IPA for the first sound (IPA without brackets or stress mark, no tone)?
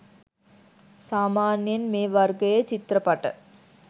s